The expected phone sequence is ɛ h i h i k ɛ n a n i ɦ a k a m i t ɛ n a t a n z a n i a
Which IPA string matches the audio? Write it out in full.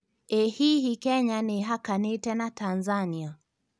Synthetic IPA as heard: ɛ h i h i k ɛ ɲ a n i ɦ a k a n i t ɛ n a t a n z a n i a